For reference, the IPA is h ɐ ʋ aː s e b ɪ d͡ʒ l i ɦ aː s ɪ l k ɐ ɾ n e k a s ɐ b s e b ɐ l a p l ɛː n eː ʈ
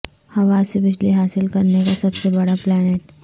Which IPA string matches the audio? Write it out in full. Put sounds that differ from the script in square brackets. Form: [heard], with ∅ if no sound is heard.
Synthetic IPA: h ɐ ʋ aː s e b ɪ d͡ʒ l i ɦ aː s ɪ l k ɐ ɾ n e k a s ɐ b s e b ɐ [ɽ] a p l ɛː n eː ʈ